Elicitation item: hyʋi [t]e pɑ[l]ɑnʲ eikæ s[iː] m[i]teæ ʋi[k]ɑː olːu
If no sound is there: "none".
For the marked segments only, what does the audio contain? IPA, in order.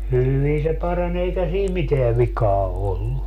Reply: s, r, iː, i, k

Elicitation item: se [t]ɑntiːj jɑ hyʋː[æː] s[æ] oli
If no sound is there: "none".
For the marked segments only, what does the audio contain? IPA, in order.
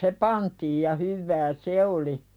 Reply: p, æː, e

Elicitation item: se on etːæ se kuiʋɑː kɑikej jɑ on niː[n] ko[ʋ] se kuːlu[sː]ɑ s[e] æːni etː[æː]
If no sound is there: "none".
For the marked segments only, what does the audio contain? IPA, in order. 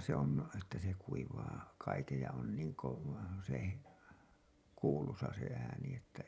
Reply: ŋ, ʋ, s, e, æ

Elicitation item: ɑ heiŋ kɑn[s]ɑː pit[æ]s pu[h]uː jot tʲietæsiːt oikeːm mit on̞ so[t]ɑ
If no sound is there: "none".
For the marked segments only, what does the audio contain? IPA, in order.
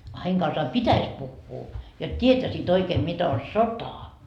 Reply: s, æ, hː, t

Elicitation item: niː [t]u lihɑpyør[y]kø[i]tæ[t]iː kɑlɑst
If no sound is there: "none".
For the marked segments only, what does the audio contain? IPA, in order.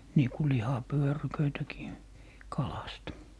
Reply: k, y, i, k

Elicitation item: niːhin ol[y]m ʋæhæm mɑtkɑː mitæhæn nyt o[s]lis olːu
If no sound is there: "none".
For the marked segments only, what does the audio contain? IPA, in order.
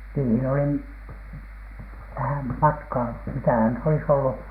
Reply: i, none

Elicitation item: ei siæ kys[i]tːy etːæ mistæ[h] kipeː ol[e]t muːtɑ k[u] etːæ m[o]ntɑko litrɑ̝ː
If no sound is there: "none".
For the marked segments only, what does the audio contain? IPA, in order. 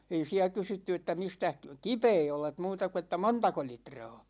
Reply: y, h, e, u, o

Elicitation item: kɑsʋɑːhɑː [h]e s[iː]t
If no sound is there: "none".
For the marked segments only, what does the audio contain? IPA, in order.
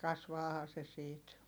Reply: s, iː

